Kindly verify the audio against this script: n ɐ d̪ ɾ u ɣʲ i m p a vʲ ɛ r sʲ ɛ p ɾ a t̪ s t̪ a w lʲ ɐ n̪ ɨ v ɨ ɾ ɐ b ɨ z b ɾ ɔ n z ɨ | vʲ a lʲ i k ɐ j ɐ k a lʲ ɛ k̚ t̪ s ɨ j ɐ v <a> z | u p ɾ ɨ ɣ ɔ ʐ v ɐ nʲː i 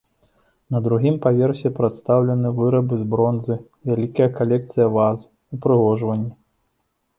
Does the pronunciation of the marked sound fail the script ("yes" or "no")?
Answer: no